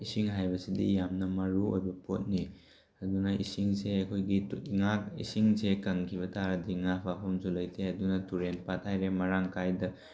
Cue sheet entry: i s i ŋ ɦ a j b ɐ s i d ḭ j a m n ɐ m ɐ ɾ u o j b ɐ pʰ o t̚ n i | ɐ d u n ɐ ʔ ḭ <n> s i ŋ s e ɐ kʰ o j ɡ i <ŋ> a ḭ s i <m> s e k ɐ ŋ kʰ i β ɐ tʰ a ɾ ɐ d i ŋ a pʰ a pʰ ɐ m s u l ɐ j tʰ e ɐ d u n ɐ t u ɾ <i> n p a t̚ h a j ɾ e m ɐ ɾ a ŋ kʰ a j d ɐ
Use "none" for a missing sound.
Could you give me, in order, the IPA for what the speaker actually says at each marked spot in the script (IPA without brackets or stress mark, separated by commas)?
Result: none, ŋ, ŋ, e